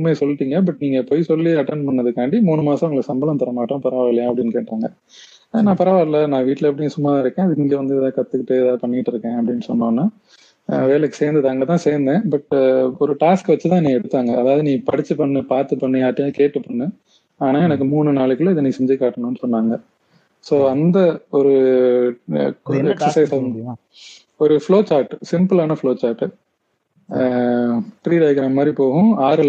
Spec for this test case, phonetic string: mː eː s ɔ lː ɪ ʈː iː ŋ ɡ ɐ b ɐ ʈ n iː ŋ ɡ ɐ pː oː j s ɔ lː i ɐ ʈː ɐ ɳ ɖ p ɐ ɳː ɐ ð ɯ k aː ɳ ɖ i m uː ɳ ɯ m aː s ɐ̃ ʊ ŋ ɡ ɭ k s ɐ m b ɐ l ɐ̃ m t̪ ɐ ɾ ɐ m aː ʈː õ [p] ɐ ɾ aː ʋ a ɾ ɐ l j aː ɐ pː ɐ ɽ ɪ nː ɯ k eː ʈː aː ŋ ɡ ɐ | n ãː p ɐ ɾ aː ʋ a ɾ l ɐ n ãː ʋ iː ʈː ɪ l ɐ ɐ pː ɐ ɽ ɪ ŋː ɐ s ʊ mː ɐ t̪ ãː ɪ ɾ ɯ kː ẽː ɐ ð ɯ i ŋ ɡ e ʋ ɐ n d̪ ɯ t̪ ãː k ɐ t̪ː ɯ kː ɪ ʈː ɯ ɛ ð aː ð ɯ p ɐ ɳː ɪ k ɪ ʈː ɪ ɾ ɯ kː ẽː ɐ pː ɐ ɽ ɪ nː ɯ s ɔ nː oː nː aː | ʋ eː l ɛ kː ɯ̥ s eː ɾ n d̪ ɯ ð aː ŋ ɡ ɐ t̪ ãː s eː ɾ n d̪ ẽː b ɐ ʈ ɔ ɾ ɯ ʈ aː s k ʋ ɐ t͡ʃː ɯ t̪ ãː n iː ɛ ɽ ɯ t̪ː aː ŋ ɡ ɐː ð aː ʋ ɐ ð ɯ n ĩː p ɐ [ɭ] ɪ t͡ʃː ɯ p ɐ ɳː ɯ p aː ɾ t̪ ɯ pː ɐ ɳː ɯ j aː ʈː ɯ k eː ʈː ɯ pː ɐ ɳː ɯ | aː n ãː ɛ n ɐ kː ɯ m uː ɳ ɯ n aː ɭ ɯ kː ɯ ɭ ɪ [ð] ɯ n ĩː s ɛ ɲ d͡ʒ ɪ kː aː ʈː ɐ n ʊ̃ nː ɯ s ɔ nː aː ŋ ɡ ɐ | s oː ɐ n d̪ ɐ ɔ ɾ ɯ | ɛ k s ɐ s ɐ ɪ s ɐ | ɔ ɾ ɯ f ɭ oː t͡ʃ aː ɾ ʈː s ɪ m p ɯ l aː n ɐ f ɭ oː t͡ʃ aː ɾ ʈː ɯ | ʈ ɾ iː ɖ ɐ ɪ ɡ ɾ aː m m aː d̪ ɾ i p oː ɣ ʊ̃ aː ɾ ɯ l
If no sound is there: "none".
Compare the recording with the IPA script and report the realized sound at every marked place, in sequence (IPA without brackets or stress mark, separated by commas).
p, ɽ, ð